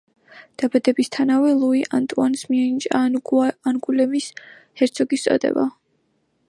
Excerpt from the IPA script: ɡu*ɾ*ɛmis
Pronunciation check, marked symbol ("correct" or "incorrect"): incorrect